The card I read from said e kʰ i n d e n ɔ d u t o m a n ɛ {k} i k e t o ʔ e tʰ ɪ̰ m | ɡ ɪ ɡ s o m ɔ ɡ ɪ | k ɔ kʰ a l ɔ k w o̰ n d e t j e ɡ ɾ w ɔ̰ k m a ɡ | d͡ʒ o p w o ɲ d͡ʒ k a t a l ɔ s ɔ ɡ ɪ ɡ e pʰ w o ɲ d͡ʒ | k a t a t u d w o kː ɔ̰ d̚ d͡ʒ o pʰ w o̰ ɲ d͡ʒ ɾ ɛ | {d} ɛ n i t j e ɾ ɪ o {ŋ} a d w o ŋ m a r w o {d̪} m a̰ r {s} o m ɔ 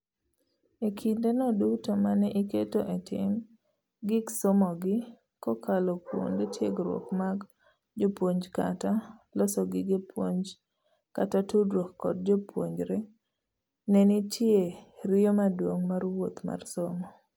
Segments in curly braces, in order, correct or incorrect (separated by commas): incorrect, incorrect, incorrect, incorrect, correct